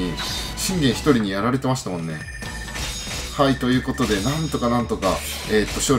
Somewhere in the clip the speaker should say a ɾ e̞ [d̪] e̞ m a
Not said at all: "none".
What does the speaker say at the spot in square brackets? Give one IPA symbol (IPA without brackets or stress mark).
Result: t̪